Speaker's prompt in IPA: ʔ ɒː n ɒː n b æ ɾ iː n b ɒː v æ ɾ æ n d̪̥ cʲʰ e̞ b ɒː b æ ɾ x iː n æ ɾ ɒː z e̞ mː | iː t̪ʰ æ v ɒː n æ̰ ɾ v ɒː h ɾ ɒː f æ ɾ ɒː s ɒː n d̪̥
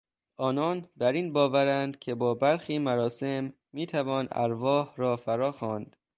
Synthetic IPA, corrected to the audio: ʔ ɒː n ɒː n b æ ɾ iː n b ɒː v æ ɾ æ n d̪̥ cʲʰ e̞ b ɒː b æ ɾ x iː m æ ɾ ɒː s e̞ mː | iː t̪ʰ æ v ɒː n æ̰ ɾ v ɒː h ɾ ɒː f æ ɾ ɒː x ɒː n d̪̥